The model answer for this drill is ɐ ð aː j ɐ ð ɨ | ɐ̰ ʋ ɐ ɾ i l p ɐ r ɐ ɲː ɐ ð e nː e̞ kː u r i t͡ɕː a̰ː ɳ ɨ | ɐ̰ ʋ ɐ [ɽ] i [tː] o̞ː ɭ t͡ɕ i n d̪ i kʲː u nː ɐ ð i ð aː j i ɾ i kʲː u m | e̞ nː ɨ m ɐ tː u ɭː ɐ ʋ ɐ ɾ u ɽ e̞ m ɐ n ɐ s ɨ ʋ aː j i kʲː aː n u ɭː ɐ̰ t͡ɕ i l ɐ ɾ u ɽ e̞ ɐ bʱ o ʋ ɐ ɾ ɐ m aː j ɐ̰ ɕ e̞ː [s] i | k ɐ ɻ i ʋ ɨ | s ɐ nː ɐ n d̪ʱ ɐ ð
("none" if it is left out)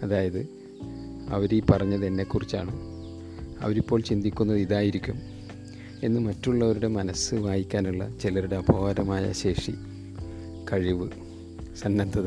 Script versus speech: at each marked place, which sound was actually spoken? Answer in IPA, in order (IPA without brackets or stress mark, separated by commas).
ɾ, pː, ʂ